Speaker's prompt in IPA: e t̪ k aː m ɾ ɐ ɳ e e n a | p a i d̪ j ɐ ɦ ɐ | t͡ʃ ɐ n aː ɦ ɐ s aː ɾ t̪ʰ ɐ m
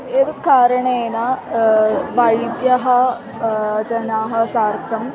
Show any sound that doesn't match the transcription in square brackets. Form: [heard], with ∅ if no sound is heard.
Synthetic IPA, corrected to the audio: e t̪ k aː [∅] ɾ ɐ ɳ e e n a | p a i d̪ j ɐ ɦ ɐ | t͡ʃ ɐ n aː ɦ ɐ s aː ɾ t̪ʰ ɐ m

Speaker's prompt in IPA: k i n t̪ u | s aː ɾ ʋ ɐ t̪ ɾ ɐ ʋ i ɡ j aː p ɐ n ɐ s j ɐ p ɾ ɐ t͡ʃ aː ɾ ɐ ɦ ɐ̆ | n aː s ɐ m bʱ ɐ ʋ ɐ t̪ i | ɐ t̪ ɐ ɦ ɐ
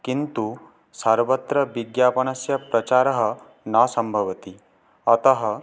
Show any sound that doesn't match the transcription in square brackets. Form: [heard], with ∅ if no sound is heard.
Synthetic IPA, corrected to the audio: k i n t̪ u | s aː ɾ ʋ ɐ t̪ ɾ ɐ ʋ i ɡ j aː p ɐ n ɐ s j ɐ p ɾ ɐ t͡ʃ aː ɾ ɐ ɦ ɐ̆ | n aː s ɐ m bʱ ɐ ʋ ɐ t̪ i | ɐ t̪ ɐ ɦ ɐ

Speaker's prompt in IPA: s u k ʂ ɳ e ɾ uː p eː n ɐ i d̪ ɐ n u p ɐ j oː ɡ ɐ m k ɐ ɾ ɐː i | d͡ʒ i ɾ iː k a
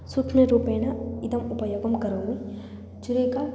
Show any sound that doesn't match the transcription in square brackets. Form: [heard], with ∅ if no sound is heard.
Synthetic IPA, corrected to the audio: s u k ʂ [m] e ɾ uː p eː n ɐ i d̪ ɐ [m] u p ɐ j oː ɡ ɐ m k ɐ ɾ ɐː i | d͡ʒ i ɾ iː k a

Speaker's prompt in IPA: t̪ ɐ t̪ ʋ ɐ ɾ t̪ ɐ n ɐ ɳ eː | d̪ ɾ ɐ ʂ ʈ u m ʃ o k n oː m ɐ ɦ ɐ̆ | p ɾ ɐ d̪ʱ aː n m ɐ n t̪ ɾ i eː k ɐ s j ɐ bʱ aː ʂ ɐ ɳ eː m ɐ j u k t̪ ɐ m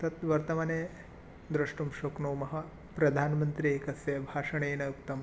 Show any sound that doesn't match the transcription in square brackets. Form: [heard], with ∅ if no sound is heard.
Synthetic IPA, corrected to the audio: t̪ ɐ t̪ ʋ ɐ ɾ t̪ ɐ [m] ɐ [n] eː | d̪ ɾ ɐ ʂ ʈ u m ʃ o k n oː m ɐ ɦ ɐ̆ | p ɾ ɐ d̪ʱ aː n m ɐ n t̪ ɾ i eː k ɐ s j ɐ bʱ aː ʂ ɐ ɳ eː [n] ɐ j u k t̪ ɐ m

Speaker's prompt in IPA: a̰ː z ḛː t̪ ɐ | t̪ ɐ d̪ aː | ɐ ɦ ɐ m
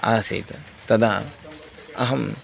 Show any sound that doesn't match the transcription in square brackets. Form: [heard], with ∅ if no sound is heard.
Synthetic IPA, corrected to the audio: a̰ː [s] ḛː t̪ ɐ | t̪ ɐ d̪ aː | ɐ ɦ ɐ m

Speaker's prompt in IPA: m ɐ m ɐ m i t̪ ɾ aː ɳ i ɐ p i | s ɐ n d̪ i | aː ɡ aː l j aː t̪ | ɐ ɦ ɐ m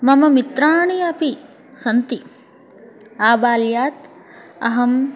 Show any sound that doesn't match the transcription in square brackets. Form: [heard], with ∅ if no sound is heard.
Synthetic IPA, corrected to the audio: m ɐ m ɐ m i t̪ ɾ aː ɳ i ɐ p i | s ɐ n [t̪] i | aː [b] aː l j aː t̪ | ɐ ɦ ɐ m

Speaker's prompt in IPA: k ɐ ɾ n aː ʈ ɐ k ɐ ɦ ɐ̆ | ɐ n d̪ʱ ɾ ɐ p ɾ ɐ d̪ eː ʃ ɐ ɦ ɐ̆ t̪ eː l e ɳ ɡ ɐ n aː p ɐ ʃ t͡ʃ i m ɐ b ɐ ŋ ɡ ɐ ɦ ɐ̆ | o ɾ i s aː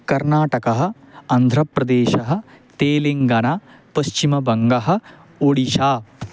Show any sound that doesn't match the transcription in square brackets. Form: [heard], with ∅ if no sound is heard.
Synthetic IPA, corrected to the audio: k ɐ ɾ n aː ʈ ɐ k ɐ ɦ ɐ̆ | ɐ n d̪ʱ ɾ ɐ p ɾ ɐ d̪ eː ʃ ɐ ɦ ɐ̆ t̪ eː l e [ŋ] ɡ ɐ n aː p ɐ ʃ t͡ʃ i m ɐ b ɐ ŋ ɡ ɐ ɦ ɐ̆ | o [ɽ] i [ʃ] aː

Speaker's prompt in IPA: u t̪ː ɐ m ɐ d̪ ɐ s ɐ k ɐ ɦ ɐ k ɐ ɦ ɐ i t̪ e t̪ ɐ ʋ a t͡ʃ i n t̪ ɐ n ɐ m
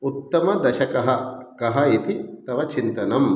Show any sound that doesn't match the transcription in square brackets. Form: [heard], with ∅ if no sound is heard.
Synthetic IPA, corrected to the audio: u t̪ː ɐ m ɐ d̪ ɐ [ʃ] ɐ k ɐ ɦ ɐ k ɐ ɦ ɐ i t̪ [i] t̪ ɐ ʋ [ɐ] t͡ʃ i n t̪ ɐ n ɐ m

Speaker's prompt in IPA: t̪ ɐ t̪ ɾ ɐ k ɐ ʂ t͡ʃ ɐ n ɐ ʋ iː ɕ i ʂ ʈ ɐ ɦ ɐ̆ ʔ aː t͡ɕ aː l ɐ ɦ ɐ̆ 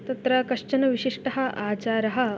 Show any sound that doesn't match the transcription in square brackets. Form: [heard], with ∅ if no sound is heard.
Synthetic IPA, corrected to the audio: t̪ ɐ t̪ ɾ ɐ k ɐ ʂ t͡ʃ ɐ n ɐ ʋ [i] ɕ i ʂ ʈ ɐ ɦ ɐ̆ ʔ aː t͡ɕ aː [ɾ] ɐ ɦ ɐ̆

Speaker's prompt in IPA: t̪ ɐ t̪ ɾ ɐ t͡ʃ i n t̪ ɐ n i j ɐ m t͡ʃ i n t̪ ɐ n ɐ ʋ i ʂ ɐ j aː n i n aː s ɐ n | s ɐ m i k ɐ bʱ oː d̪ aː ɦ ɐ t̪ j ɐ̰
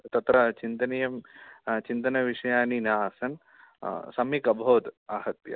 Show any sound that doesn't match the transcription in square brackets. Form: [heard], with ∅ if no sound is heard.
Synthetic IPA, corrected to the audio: t̪ ɐ t̪ ɾ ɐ t͡ʃ i n t̪ ɐ n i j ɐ m t͡ʃ i n t̪ ɐ n ɐ ʋ i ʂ ɐ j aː n i n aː s ɐ n | s ɐ m i k ɐ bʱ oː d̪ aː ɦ ɐ t̪ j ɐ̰

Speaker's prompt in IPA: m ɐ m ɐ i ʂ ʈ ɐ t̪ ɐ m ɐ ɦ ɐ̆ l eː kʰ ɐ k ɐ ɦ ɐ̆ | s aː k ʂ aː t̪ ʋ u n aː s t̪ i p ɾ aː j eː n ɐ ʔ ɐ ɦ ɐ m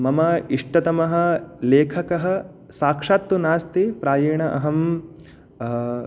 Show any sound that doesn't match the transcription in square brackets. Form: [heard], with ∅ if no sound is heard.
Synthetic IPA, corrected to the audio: m ɐ m ɐ i ʂ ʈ ɐ t̪ ɐ m ɐ ɦ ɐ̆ l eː kʰ ɐ k ɐ ɦ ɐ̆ | s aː k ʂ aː t̪ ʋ u n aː s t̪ i p ɾ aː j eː [ɳ] ɐ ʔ ɐ ɦ ɐ m

